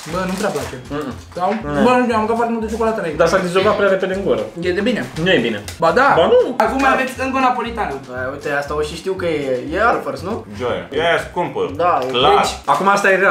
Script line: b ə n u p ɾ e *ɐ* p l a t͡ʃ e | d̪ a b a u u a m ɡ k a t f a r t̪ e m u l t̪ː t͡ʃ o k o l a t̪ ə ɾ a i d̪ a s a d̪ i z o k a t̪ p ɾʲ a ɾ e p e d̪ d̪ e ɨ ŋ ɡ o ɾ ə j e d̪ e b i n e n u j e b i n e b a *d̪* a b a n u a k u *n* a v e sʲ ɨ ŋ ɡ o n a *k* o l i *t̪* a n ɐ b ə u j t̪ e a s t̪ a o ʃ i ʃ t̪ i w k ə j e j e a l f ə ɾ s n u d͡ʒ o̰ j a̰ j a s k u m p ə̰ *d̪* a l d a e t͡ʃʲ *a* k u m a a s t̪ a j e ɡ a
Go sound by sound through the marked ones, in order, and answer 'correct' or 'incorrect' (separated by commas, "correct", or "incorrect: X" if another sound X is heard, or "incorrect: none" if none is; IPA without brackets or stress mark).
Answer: incorrect: a, correct, incorrect: m, incorrect: p, correct, correct, correct